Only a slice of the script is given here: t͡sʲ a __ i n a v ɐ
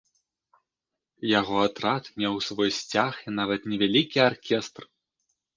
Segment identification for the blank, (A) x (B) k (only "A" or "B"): A